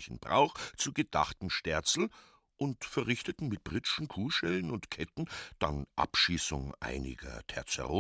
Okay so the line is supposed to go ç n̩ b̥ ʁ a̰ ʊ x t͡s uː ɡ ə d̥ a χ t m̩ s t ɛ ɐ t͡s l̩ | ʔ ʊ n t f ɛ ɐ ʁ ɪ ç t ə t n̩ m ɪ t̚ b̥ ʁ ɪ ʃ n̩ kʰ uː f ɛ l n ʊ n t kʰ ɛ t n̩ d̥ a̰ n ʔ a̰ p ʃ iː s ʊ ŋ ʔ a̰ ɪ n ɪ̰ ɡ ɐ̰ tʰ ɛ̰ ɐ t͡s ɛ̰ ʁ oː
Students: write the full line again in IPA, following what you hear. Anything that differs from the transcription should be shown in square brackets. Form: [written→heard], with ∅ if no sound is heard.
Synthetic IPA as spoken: ç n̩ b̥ ʁ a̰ ʊ x t͡s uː ɡ ə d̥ a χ t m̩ [s→ʃ] t ɛ ɐ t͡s l̩ | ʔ ʊ n t f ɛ ɐ ʁ ɪ ç t ə t n̩ m ɪ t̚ b̥ ʁ ɪ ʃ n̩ kʰ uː [f→ʃ] ɛ l n ʊ n t kʰ ɛ t n̩ d̥ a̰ n ʔ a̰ p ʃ iː s ʊ ŋ ʔ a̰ ɪ n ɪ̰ ɡ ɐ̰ tʰ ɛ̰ ɐ t͡s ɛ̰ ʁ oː